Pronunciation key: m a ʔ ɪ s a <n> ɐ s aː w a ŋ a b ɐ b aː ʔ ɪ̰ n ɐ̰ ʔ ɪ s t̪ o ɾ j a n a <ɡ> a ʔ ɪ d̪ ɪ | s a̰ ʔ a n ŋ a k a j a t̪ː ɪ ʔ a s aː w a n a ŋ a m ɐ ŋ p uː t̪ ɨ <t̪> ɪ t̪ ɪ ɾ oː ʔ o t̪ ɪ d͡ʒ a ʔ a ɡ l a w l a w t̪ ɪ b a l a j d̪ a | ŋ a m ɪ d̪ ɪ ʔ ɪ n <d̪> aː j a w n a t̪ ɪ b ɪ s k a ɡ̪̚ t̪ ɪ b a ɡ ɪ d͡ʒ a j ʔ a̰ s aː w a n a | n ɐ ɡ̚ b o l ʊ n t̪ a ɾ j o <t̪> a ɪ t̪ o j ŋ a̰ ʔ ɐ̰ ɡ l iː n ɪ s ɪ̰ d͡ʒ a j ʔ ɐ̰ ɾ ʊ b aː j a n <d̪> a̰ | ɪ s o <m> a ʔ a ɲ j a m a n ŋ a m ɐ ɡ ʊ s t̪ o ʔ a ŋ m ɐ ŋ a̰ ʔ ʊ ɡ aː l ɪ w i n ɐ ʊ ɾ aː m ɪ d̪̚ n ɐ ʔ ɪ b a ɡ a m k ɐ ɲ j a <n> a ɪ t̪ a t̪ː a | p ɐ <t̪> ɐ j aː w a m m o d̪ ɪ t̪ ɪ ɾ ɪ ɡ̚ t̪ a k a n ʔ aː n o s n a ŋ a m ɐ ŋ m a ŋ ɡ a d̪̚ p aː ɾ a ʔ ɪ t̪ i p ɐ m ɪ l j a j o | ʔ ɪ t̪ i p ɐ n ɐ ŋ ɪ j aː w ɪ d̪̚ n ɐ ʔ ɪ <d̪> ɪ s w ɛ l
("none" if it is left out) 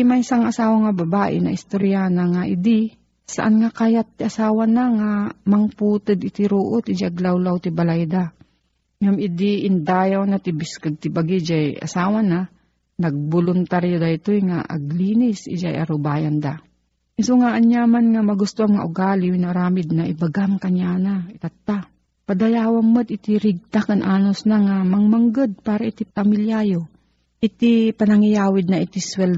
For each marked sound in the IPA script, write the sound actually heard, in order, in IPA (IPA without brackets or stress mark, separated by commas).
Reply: ŋ, ŋ, d̪, d̪, d̪, d̪, ŋ, n, d̪, t̪